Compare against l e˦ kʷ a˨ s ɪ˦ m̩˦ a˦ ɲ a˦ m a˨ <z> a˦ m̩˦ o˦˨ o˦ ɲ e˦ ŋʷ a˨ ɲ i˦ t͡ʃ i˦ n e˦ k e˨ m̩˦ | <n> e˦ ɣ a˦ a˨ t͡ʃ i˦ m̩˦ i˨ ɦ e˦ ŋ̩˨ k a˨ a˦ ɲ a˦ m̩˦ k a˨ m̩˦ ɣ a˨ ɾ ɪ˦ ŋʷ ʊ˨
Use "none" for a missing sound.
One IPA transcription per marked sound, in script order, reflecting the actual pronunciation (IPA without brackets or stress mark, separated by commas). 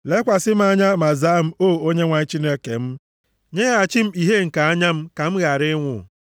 z, ɲ